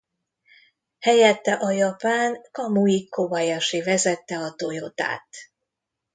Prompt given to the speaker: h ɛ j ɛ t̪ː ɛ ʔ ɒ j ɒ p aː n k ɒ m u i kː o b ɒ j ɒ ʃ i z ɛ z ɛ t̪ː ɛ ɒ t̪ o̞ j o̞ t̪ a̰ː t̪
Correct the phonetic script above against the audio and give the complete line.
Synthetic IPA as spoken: h ɛ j ɛ t̪ː ɛ ʔ ɒ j ɒ p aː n k ɒ m u i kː o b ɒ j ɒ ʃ i v ɛ z ɛ t̪ː ɛ ɒ t̪ o̞ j o̞ t̪ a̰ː t̪